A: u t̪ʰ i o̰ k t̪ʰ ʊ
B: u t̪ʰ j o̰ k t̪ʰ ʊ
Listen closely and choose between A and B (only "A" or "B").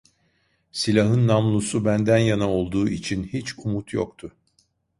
B